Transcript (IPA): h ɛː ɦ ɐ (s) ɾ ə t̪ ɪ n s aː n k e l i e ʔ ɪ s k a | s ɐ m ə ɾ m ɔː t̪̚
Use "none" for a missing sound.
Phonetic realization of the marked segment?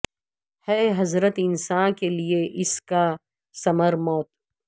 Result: z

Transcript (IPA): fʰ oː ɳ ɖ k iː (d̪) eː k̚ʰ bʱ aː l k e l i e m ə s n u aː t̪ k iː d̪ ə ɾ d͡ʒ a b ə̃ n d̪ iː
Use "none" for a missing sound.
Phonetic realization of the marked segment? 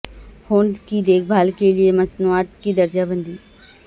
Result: d̪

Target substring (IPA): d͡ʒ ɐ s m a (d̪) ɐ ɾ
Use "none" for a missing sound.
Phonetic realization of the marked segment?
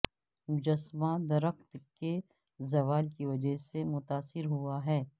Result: d̪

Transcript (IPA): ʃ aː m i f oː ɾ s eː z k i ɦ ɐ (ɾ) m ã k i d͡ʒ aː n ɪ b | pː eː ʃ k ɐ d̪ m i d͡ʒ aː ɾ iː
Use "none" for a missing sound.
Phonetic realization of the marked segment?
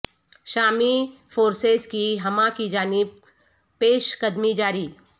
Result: none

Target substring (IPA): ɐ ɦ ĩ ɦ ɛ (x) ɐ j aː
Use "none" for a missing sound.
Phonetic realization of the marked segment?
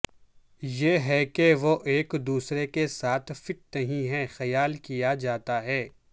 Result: x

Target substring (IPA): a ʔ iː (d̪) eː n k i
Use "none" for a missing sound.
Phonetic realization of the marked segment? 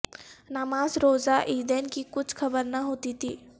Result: d̪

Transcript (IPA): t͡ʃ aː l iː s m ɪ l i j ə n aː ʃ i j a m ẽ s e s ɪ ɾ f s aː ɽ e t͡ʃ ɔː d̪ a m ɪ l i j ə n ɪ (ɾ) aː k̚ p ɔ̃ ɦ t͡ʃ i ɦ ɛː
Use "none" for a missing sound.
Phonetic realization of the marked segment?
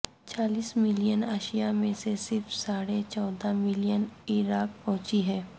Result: ɾ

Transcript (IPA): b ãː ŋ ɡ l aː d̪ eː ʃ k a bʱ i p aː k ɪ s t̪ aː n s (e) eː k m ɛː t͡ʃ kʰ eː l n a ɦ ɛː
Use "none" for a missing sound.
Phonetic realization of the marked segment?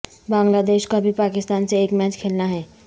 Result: e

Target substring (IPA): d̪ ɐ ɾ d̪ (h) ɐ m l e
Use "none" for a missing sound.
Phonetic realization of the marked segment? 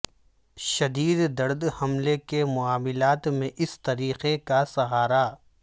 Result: h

